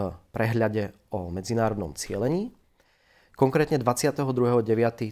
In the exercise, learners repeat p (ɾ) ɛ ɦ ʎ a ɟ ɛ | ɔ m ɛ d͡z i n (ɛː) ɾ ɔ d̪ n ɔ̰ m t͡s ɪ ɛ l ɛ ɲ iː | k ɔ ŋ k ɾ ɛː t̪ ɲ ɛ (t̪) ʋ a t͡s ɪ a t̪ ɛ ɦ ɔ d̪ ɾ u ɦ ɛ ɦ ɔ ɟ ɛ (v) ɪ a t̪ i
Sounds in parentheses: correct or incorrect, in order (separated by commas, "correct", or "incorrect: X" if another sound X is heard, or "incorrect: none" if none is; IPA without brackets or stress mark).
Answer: correct, incorrect: aː, incorrect: d̪, incorrect: ʋ